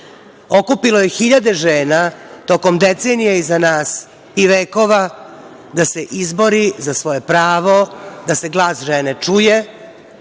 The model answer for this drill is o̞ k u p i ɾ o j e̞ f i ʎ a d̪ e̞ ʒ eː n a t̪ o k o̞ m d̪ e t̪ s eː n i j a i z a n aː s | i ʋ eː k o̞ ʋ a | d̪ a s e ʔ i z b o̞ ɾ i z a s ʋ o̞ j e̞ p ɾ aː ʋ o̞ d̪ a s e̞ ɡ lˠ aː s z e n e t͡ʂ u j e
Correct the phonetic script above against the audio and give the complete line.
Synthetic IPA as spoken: o̞ k u p i l o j e̞ x i ʎ a d̪ e̞ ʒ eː n a t̪ o k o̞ m d̪ e t̪ s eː n i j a i z a n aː s | i ʋ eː k o̞ ʋ a | d̪ a s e ʔ i z b o̞ ɾ i z a s ʋ o̞ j e̞ p ɾ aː ʋ o̞ d̪ a s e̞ ɡ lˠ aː s ʒ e n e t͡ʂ u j e